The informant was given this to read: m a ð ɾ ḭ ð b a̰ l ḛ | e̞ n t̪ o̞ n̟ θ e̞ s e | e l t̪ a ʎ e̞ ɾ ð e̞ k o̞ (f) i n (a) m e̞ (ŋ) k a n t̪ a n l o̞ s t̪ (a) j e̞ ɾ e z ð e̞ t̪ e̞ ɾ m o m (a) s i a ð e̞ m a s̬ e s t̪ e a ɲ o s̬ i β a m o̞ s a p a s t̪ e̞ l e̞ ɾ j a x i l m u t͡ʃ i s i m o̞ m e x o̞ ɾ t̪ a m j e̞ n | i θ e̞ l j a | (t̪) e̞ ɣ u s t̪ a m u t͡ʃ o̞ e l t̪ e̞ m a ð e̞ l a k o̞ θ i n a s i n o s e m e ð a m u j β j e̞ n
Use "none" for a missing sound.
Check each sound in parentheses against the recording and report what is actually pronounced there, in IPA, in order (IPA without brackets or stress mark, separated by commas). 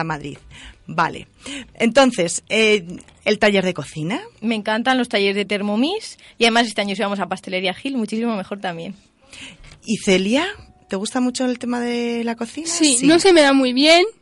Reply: θ, a, ŋ, a, i, t̪